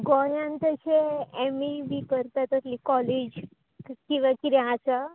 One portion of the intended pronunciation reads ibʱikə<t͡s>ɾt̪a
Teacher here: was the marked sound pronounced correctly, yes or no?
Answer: no